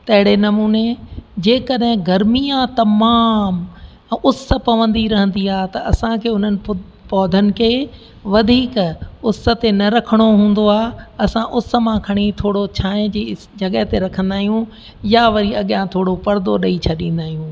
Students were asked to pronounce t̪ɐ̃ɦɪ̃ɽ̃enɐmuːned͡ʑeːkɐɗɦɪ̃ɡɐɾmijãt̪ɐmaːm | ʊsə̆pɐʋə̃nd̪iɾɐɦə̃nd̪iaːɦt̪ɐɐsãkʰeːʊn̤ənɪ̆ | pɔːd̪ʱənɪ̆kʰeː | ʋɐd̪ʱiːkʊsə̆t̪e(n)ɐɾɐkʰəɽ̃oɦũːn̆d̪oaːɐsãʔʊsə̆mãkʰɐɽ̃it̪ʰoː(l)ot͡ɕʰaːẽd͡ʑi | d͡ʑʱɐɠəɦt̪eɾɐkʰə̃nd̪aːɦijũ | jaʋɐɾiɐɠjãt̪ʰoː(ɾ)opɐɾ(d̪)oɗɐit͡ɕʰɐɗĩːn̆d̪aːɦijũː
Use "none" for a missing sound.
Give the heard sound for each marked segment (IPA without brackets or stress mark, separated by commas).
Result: n, ɽ, ɽ, d̪